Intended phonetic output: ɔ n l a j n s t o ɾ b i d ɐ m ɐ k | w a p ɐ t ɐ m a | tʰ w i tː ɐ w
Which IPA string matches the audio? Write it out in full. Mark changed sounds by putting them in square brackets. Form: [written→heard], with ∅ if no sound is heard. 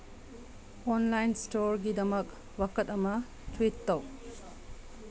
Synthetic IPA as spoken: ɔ n l a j n s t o ɾ [b→ɡ] i d ɐ m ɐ k | w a [p→k] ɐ t ɐ m [a→ɐ] | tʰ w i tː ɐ w